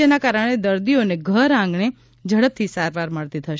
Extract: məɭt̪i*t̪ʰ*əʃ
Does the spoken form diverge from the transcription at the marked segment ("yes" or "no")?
no